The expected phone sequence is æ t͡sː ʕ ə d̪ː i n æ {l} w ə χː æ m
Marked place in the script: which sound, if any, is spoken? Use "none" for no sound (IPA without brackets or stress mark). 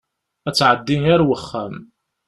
ɾ